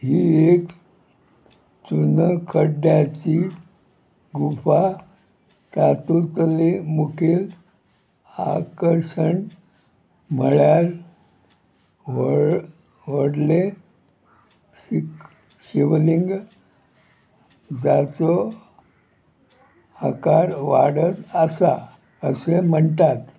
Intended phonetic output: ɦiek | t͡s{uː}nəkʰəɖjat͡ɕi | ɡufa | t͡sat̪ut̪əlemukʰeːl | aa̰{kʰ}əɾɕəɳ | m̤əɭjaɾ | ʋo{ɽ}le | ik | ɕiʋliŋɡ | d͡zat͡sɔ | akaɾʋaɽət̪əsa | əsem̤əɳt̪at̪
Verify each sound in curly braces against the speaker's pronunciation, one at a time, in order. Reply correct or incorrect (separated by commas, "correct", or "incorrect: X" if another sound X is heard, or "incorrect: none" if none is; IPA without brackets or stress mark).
incorrect: u, incorrect: k, correct